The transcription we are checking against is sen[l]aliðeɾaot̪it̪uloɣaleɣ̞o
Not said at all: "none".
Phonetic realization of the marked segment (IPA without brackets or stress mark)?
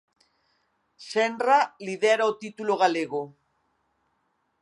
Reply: r